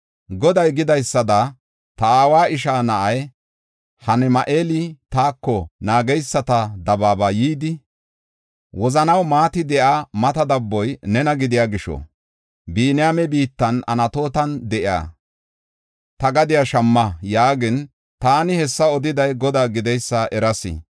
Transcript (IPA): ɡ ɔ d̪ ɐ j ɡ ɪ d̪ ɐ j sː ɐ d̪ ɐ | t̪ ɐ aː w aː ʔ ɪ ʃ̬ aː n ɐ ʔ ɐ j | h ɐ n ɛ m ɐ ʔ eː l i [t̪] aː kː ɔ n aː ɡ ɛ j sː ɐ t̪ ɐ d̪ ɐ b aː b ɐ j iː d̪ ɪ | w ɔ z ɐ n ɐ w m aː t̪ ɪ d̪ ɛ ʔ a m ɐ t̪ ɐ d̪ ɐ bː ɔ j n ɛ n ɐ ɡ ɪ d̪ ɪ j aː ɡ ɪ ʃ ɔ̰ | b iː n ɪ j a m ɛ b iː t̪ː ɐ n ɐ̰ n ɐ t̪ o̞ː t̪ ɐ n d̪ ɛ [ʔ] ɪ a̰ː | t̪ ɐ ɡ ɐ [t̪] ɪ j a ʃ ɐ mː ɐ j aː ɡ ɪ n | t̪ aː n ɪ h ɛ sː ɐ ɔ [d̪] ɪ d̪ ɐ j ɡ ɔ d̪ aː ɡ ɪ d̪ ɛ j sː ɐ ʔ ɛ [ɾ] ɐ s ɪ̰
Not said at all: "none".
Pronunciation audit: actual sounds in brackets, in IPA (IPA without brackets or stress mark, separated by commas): t̪, ʔ, d̪, d̪, ɾ